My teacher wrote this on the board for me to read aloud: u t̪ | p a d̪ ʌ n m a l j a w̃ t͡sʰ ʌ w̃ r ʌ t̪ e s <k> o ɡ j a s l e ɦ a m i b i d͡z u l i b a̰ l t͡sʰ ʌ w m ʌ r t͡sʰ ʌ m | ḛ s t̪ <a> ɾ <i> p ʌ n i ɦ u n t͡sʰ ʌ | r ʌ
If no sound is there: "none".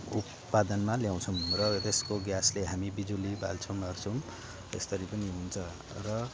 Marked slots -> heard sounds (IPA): k, ʌ, i

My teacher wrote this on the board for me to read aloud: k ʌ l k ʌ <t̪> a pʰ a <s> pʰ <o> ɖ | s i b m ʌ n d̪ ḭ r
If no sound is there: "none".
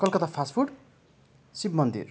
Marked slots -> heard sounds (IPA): t̪, s, u

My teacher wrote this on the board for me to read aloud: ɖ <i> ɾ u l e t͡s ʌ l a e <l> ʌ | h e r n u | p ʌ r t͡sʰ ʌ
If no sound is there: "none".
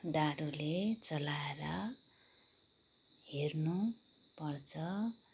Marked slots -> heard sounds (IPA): a, ɾ

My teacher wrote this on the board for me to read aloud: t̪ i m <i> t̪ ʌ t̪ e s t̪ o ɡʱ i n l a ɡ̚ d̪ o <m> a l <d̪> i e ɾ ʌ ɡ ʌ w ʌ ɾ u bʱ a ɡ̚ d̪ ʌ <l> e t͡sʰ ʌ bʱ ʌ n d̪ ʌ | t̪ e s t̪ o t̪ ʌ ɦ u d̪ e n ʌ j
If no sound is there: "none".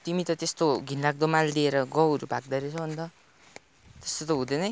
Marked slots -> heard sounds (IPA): i, m, d̪, ɾ

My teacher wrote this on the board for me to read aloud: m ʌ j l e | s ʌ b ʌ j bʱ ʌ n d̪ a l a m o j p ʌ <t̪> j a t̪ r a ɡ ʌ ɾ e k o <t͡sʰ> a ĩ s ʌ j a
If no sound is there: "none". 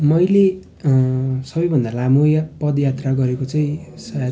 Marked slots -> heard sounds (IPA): d̪, t͡s

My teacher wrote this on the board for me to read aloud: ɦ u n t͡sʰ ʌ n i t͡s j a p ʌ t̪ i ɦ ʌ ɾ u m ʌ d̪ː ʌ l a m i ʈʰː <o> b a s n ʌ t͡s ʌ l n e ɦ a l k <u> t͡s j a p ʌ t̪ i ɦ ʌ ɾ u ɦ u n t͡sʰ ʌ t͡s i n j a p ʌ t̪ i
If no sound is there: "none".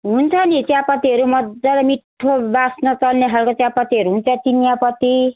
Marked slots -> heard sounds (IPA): o, o

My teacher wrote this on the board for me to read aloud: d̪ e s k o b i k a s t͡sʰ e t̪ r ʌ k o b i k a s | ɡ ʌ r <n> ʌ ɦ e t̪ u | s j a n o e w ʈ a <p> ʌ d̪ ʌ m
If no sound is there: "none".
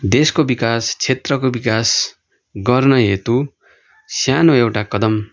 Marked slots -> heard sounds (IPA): n, k

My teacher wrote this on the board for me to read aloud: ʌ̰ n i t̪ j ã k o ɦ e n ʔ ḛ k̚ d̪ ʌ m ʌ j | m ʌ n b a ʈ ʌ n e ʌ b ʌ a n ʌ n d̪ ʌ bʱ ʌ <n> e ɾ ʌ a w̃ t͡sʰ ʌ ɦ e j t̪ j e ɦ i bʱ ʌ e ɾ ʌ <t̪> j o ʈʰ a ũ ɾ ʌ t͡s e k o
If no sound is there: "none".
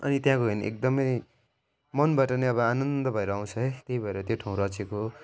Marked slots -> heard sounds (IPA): none, t̪

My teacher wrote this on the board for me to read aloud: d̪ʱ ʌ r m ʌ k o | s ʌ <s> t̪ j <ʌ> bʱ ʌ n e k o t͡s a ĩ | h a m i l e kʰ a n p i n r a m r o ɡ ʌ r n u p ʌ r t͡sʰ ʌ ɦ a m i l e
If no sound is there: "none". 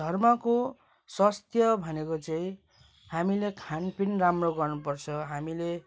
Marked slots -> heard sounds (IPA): s, ʌ

